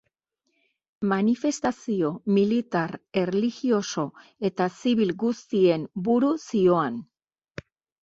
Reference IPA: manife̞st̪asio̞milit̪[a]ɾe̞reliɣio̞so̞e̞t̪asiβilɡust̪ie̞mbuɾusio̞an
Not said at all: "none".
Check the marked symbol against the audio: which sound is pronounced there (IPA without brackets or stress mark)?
a